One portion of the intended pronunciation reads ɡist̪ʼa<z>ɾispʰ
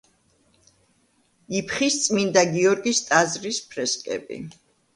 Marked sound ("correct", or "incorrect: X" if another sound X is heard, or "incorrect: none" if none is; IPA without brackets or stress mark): correct